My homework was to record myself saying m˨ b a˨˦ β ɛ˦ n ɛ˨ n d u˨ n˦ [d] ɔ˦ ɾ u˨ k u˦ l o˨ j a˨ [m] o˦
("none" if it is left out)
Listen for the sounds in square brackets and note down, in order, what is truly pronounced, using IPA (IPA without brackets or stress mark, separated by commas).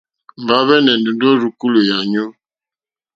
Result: d, ɲ